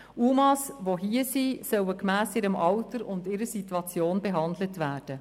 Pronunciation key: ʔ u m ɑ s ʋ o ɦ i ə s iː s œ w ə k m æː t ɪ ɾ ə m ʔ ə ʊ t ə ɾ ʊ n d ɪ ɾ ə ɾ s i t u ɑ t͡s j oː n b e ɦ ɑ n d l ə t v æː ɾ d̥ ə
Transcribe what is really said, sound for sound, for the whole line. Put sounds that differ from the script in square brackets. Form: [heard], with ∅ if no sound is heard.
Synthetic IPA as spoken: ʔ u m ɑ s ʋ o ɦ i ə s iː s œ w ə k m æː [s] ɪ ɾ ə m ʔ [ɑ] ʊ t ə ɾ ʊ n d ɪ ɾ ə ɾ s i t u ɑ t͡s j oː n b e ɦ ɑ n d l ə t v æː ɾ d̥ ə